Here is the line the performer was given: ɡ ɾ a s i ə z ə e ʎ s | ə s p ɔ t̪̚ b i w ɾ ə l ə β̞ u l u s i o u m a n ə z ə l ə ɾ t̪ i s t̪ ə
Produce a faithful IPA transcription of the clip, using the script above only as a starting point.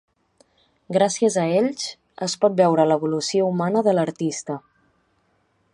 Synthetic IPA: ɡ ɾ a s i ə z ə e ʎ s | ə s p ɔ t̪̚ b ɛ w ɾ ə l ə β̞ u l u s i o u m a n ə ð ə l ə ɾ t̪ i s t̪ ə